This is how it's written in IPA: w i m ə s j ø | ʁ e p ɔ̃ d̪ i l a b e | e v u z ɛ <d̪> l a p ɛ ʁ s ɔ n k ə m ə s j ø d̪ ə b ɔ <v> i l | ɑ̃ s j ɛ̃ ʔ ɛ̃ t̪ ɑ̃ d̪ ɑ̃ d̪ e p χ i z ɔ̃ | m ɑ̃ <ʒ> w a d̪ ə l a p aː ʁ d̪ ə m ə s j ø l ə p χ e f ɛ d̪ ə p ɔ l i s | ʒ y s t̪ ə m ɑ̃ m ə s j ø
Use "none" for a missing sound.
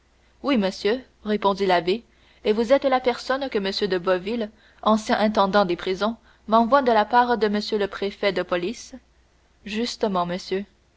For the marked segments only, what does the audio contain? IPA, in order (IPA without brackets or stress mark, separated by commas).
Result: t̪, v, v